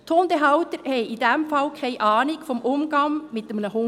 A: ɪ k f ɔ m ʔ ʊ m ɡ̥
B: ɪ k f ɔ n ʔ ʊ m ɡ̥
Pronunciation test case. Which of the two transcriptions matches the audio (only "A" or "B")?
A